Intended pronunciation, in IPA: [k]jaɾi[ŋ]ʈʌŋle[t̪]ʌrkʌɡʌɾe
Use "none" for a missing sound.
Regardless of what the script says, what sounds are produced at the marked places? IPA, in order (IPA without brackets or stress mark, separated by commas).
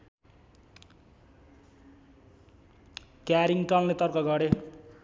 k, ŋ, t̪